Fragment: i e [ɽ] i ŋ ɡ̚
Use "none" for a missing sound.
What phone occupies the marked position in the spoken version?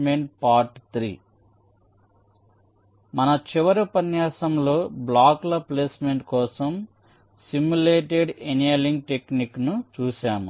l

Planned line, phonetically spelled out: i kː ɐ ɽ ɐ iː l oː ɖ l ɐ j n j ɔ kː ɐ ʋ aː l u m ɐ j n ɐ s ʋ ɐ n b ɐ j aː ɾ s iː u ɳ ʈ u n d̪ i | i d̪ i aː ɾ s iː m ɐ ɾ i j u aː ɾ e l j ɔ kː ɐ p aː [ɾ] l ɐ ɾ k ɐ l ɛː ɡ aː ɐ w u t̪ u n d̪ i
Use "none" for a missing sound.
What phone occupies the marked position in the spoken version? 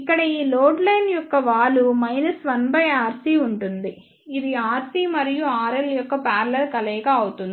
ɾ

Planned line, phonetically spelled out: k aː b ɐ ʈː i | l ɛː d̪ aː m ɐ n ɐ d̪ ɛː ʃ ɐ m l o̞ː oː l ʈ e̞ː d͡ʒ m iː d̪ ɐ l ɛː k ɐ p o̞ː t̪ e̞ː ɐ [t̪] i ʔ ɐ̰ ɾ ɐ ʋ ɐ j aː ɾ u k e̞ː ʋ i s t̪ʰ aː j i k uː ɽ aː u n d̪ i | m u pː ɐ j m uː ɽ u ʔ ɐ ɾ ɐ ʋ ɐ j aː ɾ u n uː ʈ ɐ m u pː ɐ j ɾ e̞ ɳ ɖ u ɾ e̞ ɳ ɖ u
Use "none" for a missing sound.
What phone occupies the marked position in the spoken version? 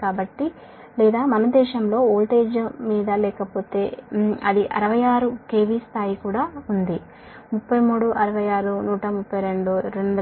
d̪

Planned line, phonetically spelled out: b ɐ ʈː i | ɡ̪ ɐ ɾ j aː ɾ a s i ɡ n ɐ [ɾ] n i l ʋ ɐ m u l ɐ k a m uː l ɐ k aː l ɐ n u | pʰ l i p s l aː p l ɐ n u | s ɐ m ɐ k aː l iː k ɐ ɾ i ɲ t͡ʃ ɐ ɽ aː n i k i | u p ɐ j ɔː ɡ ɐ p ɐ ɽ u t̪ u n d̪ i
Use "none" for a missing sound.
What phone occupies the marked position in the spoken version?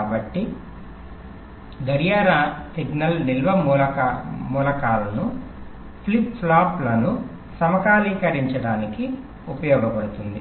l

